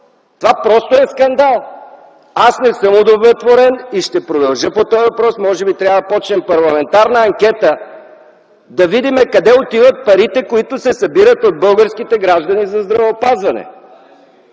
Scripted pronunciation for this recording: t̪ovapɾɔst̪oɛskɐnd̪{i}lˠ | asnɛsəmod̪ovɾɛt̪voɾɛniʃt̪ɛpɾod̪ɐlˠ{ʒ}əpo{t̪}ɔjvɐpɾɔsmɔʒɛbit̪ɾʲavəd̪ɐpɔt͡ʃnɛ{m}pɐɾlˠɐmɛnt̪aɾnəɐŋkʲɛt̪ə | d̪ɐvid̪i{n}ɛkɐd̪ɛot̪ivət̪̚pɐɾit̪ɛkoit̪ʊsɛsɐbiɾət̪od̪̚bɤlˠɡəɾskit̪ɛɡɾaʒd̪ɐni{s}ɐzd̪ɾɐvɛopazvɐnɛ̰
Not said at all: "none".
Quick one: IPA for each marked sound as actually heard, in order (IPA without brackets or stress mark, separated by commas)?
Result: a, ʒ, t̪, m, m, z